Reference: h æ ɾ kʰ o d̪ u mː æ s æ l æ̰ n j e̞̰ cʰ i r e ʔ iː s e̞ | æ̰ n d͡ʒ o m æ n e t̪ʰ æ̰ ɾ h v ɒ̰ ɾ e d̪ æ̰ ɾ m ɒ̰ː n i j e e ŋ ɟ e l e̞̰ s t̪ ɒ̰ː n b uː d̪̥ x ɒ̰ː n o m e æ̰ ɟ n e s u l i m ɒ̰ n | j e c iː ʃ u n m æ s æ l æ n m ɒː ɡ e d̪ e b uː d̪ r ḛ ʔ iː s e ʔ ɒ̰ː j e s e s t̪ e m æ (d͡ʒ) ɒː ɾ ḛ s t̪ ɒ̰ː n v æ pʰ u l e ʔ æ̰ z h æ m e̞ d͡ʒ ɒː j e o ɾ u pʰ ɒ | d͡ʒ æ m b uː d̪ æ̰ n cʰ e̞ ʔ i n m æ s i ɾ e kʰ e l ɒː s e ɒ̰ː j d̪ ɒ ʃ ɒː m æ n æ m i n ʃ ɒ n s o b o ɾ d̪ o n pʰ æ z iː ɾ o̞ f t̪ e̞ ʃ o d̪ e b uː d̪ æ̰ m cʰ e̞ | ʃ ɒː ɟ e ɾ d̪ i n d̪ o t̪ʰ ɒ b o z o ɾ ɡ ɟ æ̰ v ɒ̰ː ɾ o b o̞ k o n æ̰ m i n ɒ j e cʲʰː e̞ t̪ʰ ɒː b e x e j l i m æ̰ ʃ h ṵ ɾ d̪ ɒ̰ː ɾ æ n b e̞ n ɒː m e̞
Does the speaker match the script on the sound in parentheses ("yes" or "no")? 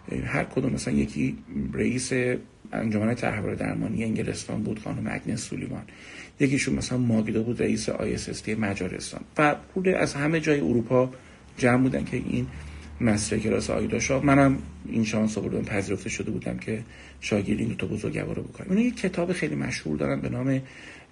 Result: yes